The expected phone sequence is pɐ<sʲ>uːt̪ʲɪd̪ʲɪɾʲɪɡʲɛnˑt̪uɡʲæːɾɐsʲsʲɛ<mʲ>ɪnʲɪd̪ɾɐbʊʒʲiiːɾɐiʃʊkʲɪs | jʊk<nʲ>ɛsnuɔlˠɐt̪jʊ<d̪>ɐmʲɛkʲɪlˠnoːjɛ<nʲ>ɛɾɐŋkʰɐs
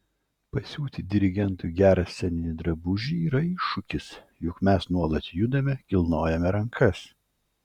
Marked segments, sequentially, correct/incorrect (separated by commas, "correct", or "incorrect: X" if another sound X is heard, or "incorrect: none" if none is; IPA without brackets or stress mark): correct, incorrect: nʲ, incorrect: mʲ, correct, incorrect: mʲ